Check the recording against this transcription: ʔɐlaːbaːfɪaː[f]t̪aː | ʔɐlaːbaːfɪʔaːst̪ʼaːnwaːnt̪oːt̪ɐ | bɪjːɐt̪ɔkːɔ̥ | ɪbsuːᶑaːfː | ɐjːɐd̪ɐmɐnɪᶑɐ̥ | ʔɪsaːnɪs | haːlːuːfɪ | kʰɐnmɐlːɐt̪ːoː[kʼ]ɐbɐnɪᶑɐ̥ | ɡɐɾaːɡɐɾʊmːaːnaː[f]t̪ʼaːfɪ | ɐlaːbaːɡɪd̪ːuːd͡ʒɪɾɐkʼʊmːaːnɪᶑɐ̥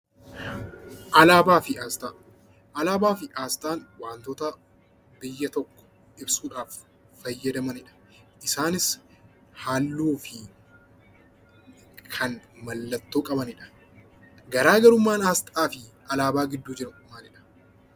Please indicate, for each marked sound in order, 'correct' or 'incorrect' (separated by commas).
incorrect, correct, incorrect